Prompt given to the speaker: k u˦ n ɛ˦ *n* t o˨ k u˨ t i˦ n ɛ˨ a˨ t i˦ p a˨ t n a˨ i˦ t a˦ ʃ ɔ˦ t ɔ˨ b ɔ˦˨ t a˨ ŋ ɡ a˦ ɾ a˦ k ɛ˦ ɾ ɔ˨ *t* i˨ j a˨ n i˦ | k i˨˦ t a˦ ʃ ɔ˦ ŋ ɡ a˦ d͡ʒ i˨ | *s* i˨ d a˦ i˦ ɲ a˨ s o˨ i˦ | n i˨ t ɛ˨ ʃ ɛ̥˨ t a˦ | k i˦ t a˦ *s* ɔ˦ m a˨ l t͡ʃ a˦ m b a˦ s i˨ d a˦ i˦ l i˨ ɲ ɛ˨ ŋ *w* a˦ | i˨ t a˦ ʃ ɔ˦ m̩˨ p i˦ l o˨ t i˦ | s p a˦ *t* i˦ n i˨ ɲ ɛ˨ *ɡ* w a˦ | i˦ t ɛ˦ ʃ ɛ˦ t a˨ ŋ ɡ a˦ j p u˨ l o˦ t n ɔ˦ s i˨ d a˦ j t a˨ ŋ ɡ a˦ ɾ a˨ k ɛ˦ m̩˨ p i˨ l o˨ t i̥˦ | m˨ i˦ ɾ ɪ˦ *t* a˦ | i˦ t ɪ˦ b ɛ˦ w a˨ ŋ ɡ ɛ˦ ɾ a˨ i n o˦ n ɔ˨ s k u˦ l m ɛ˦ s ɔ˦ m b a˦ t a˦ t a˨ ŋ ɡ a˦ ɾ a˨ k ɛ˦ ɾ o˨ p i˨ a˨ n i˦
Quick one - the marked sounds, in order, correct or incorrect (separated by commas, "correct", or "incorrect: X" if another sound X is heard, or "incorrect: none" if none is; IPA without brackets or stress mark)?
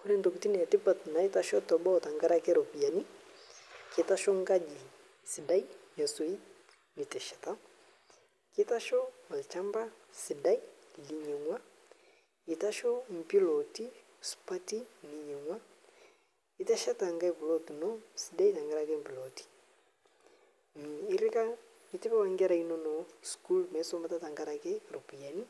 correct, incorrect: p, correct, incorrect: ʃ, correct, correct, incorrect: ŋ, incorrect: k